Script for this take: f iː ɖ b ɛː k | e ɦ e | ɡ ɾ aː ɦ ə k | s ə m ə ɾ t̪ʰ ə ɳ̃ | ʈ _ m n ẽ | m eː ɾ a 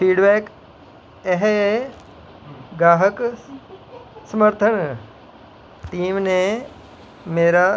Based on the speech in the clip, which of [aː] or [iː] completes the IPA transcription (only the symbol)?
iː